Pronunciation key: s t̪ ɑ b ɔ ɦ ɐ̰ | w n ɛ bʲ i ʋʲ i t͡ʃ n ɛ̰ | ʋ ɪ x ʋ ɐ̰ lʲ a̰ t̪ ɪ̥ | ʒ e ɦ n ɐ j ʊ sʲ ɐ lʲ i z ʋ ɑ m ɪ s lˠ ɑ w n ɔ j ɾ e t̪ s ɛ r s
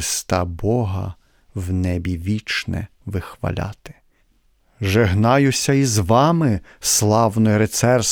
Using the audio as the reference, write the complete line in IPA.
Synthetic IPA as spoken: s t̪ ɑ b ɔ ɦ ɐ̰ | w n ɛ bʲ i ʋʲ i t͡ʃ n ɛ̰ | ʋ ɪ x ʋ ɐ̰ lʲ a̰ t̪ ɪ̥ | ʒ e ɦ n ɑ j ʊ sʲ ɐ i z ʋ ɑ m ɪ s lˠ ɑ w n ɔ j ɾ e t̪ s ɛ r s